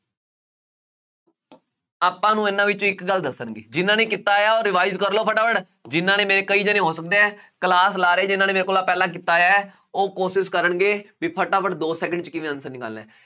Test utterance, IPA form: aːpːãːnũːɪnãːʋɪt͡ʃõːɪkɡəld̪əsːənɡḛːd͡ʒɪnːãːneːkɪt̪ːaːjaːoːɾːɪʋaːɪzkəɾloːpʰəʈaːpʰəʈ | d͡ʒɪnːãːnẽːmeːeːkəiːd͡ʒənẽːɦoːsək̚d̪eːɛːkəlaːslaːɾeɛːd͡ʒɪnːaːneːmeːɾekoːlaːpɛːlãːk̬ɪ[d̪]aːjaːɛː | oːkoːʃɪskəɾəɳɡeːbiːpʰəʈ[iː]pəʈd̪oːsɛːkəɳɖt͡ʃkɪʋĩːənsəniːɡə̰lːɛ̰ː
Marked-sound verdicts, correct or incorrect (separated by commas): incorrect, incorrect